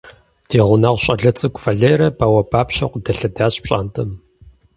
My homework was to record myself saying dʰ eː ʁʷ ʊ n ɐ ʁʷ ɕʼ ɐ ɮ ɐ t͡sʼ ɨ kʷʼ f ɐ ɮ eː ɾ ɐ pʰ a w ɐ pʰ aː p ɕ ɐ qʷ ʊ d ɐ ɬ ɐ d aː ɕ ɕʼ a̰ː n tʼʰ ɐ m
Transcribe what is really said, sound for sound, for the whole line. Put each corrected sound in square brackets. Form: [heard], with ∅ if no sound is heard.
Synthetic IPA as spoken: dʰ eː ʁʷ ʊ n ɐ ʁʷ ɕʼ ɐ ɮ ɐ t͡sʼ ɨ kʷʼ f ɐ ɮ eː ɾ ɐ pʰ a w ɐ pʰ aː p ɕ ɐ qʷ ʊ d ɐ ɬ ɐ d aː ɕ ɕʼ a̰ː n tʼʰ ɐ m